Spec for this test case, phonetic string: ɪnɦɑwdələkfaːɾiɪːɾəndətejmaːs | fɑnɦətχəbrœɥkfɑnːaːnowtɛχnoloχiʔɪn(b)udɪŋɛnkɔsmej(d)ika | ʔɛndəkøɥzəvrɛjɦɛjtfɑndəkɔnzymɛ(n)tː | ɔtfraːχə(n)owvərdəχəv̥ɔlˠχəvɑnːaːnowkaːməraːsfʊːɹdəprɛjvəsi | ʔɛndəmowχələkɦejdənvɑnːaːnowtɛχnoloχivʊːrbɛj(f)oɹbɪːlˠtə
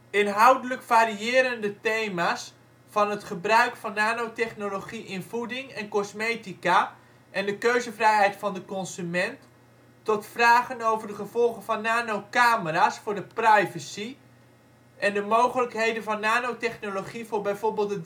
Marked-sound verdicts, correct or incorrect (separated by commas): incorrect, incorrect, correct, correct, incorrect